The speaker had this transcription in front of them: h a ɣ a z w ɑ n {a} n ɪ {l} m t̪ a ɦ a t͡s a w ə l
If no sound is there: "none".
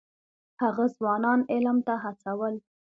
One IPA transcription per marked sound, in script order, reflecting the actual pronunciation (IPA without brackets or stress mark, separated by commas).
ɑ, l